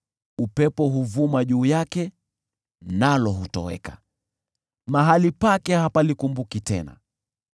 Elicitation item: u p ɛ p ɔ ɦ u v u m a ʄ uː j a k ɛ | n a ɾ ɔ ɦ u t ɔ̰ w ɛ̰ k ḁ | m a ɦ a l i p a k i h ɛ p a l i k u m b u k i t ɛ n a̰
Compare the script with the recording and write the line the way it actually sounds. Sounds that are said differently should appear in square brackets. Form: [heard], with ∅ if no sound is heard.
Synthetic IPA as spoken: u p ɛ p ɔ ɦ u v u m a ʄ uː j a k ɛ | n a [l] ɔ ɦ u t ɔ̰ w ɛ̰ k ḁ | m a ɦ a l i p a k [ɛ] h [a] p a l i k u m b u k i t ɛ n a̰